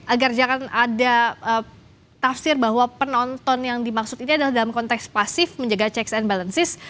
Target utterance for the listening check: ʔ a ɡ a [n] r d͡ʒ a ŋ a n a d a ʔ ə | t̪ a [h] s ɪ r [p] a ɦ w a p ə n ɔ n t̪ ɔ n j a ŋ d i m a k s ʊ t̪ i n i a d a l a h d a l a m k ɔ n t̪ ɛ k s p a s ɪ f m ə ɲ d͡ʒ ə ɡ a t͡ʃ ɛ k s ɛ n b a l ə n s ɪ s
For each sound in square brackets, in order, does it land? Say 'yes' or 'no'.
no, no, no

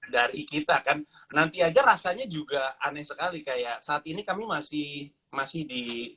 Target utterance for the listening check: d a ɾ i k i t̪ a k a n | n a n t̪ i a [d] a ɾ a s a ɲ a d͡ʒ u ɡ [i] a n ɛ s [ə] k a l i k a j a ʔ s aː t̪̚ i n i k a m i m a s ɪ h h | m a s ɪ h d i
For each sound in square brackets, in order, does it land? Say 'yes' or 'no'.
no, no, yes

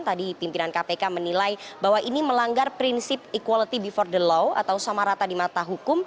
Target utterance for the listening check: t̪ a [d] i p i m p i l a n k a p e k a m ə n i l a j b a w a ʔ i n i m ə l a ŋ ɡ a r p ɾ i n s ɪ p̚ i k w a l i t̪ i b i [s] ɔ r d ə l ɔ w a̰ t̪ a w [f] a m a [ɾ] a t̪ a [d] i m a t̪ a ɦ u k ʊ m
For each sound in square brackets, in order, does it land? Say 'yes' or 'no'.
yes, no, no, yes, yes

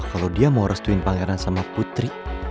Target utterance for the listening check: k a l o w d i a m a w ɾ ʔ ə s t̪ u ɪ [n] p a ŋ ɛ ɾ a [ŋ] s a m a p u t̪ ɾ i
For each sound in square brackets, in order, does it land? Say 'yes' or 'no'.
yes, no

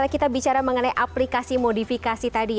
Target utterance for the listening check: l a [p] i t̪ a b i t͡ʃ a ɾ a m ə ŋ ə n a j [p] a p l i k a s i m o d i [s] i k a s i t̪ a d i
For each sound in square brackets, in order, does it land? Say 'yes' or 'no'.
no, no, no

